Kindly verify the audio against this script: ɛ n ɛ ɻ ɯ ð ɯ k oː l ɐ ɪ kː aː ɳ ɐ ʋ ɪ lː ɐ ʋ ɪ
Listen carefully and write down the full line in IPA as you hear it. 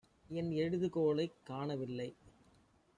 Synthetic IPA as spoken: ɛ n ɛ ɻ ɯ ð ɯ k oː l ɐ ɪ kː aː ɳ ɐ ʋ ɪ lː ɐ ɪ

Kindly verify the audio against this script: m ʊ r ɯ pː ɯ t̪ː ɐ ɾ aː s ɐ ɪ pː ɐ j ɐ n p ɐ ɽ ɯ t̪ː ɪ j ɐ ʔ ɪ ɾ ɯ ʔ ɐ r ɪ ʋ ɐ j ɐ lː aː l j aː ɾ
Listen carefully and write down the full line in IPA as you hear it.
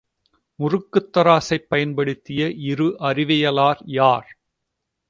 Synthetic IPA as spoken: m ʊ r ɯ kː ɯ t̪ː ɐ ɾ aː s ɐ ɪ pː ɐ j ɐ n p ɐ ɽ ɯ t̪ː ɪ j ɐ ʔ ɪ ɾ ɯ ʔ ɐ r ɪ ʋ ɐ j ɐ l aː ɾ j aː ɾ

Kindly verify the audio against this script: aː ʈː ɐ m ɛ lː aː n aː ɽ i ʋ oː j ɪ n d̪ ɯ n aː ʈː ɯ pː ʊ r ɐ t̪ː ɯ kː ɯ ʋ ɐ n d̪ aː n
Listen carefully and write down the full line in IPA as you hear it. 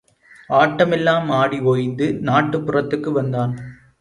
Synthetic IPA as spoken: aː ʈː ɐ m ɛ lː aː m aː ɽ i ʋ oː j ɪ n d̪ ɯ n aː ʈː ɯ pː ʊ r ɐ t̪ː ɯ kː ɯ ʋ ɐ n d̪ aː n

